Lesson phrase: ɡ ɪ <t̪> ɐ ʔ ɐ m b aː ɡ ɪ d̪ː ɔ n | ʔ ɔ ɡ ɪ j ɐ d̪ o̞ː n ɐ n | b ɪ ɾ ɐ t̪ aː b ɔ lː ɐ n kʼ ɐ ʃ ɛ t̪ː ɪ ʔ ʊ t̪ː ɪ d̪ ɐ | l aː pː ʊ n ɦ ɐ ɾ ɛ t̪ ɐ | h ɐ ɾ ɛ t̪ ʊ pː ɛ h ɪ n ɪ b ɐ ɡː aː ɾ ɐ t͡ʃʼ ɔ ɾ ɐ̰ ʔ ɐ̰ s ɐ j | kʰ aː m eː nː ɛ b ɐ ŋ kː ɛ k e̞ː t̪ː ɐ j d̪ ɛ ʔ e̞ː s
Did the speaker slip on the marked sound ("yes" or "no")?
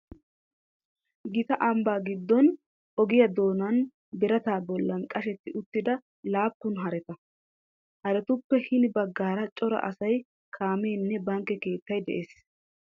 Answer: no